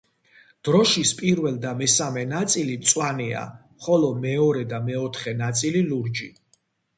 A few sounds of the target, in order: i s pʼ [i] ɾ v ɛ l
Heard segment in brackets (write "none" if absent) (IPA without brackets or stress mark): i